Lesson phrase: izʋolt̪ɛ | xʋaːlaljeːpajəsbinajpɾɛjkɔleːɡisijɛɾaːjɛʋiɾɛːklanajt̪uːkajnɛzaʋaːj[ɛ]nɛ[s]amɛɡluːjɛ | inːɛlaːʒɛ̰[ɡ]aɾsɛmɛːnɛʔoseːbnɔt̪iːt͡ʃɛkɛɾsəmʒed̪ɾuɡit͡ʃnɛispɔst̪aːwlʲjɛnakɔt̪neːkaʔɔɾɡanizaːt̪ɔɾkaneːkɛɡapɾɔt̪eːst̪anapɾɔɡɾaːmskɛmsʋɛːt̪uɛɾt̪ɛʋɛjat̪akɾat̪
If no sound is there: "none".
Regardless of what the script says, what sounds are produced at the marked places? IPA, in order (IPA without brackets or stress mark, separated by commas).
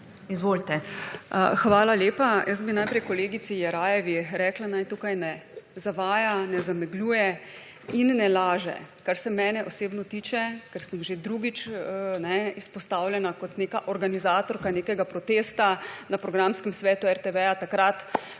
a, z, k